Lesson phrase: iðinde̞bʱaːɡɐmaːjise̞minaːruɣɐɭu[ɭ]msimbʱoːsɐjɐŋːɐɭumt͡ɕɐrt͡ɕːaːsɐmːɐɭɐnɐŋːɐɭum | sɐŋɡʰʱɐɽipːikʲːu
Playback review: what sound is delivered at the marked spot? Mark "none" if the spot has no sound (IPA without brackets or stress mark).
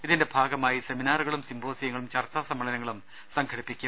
none